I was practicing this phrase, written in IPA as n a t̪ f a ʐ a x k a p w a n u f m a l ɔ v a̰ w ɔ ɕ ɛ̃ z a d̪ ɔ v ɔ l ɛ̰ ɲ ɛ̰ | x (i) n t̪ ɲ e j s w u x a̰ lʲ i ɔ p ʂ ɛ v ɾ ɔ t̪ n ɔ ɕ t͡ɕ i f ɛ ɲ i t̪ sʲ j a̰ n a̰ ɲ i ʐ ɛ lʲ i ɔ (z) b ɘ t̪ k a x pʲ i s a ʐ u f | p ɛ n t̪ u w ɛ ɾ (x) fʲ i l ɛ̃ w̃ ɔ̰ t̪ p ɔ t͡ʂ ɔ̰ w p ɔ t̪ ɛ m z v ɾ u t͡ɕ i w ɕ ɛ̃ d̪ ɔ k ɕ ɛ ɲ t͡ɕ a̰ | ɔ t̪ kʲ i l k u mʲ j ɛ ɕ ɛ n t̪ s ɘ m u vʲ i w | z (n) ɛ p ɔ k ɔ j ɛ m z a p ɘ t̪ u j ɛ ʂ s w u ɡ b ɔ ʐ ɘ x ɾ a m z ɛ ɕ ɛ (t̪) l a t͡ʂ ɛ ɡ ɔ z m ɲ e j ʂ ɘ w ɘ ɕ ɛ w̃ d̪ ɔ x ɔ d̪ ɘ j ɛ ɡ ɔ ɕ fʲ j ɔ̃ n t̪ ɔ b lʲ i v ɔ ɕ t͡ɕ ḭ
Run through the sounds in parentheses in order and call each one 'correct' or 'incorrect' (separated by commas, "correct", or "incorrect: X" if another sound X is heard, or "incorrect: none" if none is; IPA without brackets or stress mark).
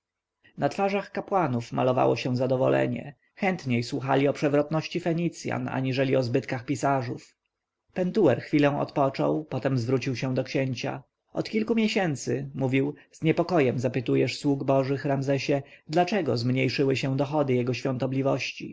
incorrect: ɛ, correct, correct, incorrect: ɲ, incorrect: d̪